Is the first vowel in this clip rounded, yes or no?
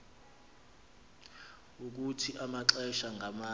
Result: yes